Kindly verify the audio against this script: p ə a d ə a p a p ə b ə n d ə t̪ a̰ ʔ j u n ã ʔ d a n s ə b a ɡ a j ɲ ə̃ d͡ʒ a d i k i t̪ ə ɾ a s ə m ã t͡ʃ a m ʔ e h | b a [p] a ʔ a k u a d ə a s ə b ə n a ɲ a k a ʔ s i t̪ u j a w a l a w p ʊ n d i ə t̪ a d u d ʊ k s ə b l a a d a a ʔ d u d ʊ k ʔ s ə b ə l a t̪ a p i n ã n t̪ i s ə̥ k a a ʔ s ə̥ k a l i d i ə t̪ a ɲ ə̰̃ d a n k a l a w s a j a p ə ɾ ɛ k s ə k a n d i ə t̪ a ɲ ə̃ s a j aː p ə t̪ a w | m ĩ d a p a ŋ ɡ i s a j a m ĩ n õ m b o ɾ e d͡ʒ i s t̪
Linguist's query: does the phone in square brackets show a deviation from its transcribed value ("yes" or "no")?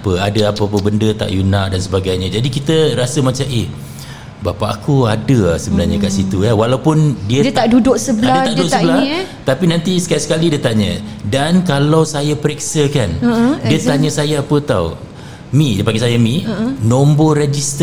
no